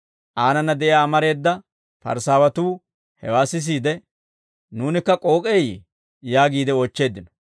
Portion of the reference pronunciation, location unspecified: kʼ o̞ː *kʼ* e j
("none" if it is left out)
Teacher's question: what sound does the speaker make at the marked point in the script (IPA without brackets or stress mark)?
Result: kʼ